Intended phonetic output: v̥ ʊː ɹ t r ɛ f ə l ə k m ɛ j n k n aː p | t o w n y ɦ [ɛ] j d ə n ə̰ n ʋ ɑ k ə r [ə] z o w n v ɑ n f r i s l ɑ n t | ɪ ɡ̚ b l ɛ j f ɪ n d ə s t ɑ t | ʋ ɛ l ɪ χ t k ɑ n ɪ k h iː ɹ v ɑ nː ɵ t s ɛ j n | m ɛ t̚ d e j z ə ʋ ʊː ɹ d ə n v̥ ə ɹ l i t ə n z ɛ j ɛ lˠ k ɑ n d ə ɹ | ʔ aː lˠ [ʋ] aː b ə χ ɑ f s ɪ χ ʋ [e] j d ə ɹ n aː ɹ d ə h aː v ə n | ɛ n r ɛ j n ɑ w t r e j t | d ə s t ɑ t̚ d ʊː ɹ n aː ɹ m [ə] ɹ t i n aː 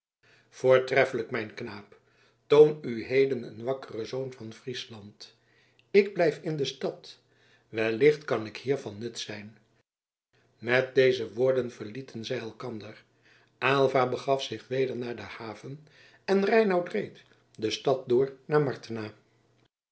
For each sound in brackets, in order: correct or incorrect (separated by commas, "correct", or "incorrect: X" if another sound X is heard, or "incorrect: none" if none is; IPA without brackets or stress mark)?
incorrect: e, correct, incorrect: v, correct, incorrect: ɑ